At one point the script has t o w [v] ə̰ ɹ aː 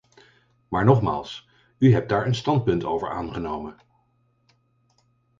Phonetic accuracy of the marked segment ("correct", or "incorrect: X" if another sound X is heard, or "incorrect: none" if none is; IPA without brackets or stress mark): correct